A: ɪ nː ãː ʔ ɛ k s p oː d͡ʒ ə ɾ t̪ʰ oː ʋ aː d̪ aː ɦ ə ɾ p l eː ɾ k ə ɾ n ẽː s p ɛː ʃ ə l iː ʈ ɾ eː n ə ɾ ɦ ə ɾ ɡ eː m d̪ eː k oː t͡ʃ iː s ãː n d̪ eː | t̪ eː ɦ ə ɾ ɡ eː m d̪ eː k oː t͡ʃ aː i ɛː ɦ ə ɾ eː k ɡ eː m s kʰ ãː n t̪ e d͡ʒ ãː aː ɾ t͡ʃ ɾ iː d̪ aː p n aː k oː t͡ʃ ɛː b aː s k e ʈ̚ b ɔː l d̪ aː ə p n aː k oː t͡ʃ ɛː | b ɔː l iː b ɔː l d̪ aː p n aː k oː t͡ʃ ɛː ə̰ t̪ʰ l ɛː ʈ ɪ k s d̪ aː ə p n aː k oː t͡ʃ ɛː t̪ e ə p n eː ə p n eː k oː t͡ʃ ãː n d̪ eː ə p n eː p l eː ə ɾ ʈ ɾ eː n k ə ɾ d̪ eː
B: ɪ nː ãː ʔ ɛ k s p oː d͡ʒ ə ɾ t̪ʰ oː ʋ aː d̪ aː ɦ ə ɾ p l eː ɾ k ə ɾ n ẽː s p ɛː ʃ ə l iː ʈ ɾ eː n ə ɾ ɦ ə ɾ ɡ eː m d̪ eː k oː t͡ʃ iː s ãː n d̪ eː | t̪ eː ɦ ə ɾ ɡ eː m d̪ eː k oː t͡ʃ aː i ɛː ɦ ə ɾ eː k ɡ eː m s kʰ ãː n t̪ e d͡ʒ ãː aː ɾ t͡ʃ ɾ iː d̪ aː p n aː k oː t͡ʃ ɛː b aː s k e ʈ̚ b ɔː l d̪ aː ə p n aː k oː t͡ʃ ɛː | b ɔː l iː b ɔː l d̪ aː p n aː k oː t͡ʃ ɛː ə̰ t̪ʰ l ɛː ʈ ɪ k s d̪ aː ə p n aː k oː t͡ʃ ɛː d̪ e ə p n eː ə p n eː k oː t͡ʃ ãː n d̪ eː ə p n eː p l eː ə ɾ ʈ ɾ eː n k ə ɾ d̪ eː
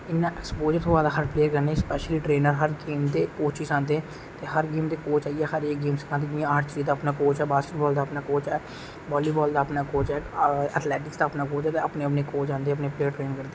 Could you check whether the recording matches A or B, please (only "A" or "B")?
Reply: A